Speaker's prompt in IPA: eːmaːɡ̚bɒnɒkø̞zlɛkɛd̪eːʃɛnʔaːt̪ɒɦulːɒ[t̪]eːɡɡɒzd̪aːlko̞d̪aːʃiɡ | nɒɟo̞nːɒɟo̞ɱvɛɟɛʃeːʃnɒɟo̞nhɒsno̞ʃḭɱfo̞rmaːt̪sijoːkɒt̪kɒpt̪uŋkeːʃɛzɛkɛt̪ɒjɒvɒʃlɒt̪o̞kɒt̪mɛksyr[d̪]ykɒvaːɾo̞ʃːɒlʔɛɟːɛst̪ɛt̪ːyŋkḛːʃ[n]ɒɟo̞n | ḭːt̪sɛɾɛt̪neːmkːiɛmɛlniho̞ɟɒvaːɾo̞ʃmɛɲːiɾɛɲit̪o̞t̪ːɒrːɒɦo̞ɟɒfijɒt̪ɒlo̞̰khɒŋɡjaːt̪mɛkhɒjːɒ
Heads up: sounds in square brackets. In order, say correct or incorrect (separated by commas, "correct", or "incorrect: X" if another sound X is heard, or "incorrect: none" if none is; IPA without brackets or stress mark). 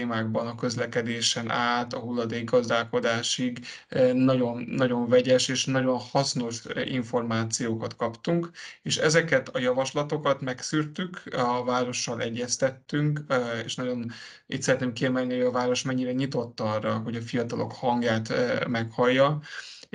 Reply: incorrect: d̪, incorrect: t̪, correct